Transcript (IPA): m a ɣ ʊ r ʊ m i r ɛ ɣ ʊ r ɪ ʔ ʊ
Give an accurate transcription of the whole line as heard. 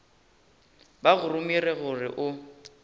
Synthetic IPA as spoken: b a ɣ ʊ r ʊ m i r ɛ ɣ ʊ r ɪ ʔ ʊ